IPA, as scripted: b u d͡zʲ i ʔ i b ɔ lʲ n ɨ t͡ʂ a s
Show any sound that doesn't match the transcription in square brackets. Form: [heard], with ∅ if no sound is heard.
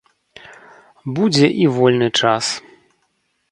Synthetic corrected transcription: b u d͡zʲ [ɛ] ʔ i [v] ɔ lʲ n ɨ t͡ʂ a s